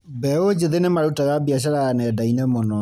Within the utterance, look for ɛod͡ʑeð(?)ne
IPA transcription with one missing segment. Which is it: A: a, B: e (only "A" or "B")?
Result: B